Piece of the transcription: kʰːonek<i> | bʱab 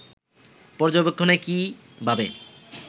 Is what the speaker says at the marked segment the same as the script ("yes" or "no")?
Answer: yes